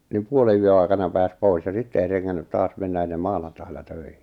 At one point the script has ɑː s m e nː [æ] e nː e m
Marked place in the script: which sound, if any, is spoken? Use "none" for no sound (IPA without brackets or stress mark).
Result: æ